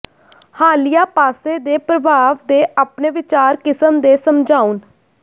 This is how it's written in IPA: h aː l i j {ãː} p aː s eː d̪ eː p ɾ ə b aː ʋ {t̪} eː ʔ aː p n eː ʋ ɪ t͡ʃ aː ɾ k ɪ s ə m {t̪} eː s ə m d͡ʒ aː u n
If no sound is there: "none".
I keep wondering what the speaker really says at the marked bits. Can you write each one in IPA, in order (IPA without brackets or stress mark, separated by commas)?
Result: aː, d̪, d̪